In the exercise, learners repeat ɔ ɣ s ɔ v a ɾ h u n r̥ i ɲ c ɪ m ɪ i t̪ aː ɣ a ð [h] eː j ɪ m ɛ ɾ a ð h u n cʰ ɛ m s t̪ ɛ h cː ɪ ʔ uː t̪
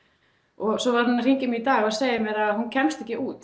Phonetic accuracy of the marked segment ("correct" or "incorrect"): incorrect